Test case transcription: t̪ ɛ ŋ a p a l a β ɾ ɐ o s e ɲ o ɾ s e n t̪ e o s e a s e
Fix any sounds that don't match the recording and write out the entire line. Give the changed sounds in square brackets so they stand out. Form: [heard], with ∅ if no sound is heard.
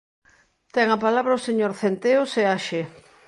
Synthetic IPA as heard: t̪ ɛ ŋ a p a l a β ɾ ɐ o s e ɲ o ɾ [θ] e n t̪ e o s e a [ʃ] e